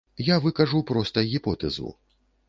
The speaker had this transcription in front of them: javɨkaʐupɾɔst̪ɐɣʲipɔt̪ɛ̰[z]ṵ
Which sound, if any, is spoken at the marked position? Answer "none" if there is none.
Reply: z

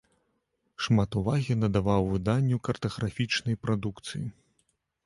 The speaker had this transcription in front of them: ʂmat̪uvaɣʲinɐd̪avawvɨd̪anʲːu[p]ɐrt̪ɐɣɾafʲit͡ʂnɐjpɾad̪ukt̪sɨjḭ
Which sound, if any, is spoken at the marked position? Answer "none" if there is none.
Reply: k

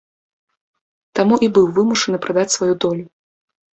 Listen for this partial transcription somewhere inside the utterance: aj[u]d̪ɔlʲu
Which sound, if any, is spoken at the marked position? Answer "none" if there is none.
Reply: u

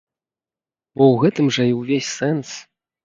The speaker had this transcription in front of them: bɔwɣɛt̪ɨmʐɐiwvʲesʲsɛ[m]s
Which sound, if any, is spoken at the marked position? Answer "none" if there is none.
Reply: n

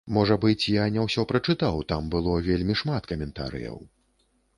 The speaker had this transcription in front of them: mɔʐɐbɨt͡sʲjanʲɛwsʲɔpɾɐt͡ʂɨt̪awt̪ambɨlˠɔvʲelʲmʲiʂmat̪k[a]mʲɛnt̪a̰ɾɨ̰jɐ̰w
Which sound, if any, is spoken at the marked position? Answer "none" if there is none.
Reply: ɐ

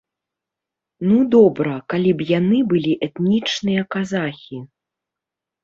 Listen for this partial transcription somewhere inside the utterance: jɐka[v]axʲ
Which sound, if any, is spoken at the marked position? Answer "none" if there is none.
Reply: z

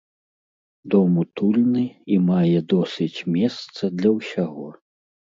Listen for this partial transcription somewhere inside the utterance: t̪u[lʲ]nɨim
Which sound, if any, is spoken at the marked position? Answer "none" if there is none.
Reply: lʲ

